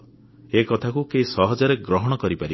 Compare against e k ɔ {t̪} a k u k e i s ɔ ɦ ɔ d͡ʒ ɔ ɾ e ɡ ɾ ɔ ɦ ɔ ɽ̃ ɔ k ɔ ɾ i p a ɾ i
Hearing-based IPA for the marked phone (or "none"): t̪ʰ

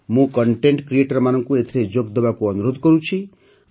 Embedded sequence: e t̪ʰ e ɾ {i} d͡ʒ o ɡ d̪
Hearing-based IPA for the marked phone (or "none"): e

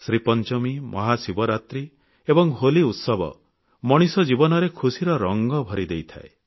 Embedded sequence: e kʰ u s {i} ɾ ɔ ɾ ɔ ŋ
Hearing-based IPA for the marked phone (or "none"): i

